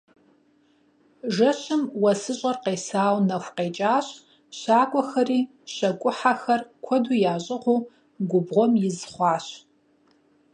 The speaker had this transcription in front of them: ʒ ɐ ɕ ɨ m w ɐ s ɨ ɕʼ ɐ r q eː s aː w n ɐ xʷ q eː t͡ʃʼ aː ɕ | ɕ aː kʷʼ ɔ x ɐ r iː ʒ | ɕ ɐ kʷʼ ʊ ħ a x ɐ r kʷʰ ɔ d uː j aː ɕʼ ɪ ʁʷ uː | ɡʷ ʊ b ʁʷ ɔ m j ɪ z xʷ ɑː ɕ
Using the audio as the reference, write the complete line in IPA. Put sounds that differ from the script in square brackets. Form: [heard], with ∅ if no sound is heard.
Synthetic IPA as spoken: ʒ ɐ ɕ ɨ m w ɐ s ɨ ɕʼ ɐ r q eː s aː w n ɐ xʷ q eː t͡ʃʼ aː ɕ | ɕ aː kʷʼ ɔ x ɐ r iː [∅] | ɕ ɐ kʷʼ ʊ ħ a x ɐ r kʷʰ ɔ d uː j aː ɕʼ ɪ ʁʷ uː | ɡʷ ʊ b ʁʷ ɔ m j ɪ z [χʷ] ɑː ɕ